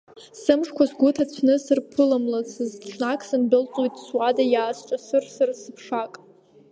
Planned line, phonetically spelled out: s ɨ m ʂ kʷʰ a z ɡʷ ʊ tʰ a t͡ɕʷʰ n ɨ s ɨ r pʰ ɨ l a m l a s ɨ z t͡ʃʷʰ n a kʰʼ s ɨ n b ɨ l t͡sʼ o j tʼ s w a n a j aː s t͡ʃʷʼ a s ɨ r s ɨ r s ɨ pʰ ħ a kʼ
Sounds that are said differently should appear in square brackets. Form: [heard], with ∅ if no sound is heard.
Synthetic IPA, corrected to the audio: s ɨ m ʂ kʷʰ a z ɡʷ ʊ tʰ a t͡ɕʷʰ n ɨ s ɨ r pʰ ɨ l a m l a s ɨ z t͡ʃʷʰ n a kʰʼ s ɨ n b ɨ l t͡sʼ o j tʼ s w a [d] a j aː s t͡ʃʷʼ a s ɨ r s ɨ r s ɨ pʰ [ʂ] a kʼ

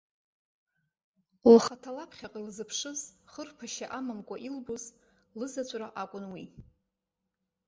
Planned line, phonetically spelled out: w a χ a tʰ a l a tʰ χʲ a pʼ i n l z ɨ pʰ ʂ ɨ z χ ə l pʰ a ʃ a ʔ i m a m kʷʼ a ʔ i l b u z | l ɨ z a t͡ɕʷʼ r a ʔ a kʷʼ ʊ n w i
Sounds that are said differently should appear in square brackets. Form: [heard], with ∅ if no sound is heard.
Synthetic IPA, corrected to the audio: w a χ a tʰ a l a [pʰ] χʲ a [qʼ] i [∅] l z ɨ pʰ ʂ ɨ z χ ə [r] pʰ a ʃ a ʔ [a] m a m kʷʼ a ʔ i l b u z | l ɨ z a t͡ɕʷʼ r a ʔ a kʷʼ ʊ n w i

